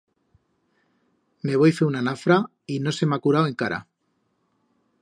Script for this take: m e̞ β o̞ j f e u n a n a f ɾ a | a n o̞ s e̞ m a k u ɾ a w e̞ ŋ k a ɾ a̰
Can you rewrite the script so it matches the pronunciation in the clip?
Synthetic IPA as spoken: m e̞ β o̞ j f e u n a n a f ɾ a | i n o̞ s e̞ m a k u ɾ a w e̞ ŋ k a ɾ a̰